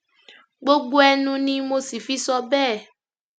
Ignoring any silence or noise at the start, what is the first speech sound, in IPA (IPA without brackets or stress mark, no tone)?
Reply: ɡ͡b